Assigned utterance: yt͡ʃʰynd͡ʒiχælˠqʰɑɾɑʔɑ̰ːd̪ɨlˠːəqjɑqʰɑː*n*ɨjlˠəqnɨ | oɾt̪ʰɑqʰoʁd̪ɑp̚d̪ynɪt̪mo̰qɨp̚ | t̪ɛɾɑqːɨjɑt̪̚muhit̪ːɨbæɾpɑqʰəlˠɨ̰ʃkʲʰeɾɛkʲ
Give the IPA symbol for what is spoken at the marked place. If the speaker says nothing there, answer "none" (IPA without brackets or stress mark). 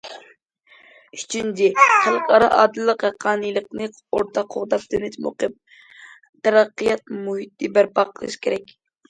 n